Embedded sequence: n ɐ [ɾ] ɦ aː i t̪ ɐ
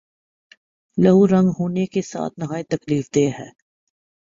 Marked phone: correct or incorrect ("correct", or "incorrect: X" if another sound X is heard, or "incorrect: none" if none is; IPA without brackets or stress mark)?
incorrect: none